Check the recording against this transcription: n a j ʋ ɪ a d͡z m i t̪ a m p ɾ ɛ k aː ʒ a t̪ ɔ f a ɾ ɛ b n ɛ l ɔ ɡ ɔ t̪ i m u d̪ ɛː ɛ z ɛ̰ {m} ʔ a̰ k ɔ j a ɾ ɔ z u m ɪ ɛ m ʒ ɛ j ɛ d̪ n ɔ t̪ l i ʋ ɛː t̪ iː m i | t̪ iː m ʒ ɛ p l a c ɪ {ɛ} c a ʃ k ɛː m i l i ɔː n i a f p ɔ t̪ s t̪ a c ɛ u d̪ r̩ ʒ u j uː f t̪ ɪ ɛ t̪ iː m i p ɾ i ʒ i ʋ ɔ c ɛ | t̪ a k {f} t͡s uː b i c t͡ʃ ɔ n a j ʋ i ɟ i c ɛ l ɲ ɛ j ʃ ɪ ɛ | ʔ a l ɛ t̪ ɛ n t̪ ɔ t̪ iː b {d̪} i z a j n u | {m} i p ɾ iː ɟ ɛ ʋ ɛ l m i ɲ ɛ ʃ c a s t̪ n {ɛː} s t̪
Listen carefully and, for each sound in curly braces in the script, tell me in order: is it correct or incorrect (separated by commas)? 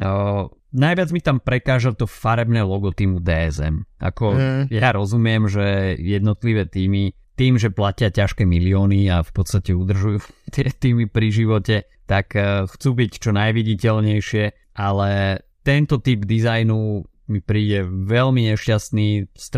correct, incorrect, incorrect, correct, correct, incorrect